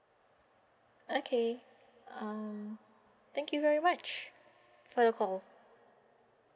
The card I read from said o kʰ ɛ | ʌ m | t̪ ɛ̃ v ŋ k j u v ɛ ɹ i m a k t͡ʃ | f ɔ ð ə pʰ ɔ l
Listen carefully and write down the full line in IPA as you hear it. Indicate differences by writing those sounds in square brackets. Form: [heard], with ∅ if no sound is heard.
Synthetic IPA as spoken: o kʰ [e] | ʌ m | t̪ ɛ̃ [∅] ŋ k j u v ɛ ɹ i m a [∅] t͡ʃ | f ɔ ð ə [kʰ] ɔ l